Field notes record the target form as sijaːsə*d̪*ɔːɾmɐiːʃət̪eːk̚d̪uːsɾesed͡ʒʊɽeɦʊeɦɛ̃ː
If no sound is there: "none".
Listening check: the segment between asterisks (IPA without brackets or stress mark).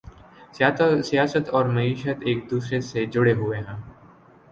t̪